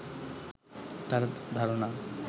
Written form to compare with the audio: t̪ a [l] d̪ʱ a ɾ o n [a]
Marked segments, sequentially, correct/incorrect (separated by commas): incorrect, correct